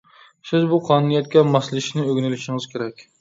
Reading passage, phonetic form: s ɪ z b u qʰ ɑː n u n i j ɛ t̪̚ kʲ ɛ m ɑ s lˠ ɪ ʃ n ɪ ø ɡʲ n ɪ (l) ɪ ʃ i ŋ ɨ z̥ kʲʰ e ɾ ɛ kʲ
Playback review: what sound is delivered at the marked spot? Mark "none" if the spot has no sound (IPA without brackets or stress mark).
l